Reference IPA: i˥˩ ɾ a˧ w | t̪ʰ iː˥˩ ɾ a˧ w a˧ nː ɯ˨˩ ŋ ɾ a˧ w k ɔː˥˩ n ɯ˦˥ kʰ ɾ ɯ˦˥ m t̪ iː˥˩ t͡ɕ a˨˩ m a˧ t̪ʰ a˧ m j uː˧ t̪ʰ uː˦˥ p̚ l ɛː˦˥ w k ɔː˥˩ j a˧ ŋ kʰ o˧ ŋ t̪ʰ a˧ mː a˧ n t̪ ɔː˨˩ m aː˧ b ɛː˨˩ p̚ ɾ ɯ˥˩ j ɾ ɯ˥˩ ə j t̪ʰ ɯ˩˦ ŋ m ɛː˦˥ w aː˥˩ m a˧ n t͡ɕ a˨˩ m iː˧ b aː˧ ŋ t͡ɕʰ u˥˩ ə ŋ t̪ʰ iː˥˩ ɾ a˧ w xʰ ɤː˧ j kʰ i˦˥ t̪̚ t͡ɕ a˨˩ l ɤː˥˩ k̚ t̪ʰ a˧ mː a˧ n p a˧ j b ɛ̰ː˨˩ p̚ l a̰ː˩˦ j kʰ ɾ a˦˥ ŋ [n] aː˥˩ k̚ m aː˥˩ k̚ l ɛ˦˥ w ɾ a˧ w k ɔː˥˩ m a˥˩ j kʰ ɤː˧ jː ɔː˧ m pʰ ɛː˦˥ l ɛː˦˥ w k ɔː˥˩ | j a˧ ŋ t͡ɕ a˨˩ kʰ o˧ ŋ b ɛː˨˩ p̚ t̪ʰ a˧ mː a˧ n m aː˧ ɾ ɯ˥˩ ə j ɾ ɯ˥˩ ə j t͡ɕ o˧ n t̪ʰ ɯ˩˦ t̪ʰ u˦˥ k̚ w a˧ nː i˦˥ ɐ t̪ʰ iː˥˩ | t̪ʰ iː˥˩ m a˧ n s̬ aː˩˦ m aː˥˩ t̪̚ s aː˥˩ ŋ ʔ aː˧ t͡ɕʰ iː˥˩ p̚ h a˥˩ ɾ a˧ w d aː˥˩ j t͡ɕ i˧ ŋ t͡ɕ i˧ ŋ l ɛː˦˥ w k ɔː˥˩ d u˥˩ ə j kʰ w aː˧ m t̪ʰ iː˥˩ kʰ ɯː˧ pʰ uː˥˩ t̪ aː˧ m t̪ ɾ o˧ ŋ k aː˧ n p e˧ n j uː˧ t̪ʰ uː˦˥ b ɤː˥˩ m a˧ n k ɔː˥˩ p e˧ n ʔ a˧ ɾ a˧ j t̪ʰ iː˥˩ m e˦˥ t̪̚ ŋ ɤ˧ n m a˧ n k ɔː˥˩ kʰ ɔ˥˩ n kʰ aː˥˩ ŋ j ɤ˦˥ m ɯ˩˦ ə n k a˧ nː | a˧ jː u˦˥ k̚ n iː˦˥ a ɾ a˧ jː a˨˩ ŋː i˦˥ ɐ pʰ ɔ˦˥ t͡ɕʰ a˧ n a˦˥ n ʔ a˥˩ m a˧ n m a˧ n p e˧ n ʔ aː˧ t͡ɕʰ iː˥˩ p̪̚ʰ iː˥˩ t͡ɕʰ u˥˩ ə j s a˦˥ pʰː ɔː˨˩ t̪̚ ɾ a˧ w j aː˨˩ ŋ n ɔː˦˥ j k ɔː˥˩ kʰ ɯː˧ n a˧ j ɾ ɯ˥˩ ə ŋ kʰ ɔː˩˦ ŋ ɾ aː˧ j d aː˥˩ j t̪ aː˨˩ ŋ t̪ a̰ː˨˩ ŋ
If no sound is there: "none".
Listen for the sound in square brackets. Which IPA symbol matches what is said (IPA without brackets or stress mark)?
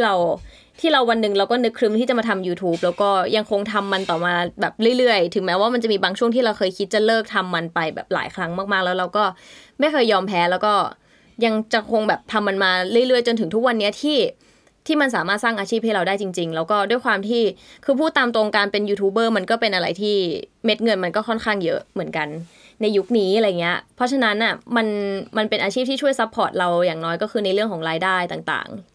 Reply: m